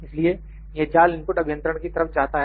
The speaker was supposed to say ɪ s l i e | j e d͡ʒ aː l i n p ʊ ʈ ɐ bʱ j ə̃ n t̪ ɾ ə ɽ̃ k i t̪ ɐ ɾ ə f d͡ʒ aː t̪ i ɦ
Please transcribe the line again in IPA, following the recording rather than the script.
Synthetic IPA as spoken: ɪ s l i e | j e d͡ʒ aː l ɪ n p ʊ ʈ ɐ bʱ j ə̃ n t̪ ɾ ə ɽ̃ k i t̪ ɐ ɾ ə f d͡ʒ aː t̪ a ɦ

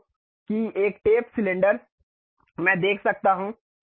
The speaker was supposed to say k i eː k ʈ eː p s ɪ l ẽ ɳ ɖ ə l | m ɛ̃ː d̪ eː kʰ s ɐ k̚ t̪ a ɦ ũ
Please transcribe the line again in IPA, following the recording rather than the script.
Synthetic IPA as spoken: k i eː k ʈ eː p s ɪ l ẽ ɳ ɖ ə ɾ | m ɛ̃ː d̪ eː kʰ s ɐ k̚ t̪ a ɦ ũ

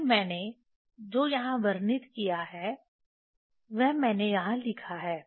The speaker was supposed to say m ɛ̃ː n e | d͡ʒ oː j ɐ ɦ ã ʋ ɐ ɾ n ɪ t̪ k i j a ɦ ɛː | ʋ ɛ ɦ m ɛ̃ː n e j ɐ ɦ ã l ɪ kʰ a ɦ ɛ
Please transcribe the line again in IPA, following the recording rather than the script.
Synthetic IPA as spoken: m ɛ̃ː n e | d͡ʒ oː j ɐ ɦ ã ʋ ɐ ɾ n ɪ t̪ k i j a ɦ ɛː | ʋ ɛ ɦ m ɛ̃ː n e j ɐ ɦ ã l ɪ kʰ a ɦ ɛː

